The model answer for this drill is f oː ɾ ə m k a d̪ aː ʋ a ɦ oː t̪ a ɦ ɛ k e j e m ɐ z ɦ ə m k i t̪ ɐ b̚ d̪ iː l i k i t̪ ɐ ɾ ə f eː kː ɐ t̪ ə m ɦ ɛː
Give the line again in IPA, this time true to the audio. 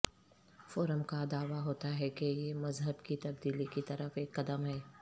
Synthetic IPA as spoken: f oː ɾ ə m k a d̪ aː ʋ a ɦ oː t̪ a ɦ ɛ k e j e m ɐ z ɦ ə b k i t̪ ɐ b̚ d̪ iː l i k i t̪ ɐ ɾ ə f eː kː ɐ d̪ ə m ɦ ɛː